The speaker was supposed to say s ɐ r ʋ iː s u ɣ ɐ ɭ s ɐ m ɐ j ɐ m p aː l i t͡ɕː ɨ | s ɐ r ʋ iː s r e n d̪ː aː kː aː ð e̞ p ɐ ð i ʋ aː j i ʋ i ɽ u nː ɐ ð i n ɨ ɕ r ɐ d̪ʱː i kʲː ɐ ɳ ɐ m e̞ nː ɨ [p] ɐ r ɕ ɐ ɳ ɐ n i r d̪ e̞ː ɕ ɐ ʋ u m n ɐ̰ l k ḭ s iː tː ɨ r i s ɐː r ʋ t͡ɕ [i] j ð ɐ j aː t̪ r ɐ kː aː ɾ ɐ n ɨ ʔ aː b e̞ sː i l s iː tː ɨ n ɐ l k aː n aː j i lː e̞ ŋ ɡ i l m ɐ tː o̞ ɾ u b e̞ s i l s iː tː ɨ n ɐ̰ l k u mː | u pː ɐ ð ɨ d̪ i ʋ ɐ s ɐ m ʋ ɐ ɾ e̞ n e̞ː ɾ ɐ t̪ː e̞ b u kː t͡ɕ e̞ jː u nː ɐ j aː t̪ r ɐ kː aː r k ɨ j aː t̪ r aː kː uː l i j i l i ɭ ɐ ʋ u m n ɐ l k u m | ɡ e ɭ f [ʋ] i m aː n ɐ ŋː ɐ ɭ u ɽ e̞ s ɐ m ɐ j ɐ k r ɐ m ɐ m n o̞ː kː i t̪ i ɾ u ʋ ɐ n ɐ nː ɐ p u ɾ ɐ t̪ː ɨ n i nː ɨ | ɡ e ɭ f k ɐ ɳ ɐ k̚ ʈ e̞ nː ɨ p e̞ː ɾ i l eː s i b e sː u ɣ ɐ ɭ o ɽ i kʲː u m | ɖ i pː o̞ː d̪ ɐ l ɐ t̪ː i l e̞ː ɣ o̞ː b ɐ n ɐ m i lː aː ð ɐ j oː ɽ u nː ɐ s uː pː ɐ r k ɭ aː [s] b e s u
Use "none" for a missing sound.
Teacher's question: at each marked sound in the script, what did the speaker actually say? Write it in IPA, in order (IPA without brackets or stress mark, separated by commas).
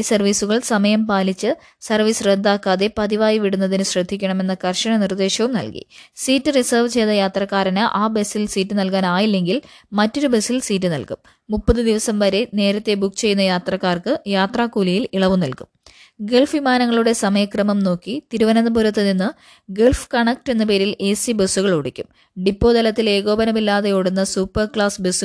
k, e, ʋ, s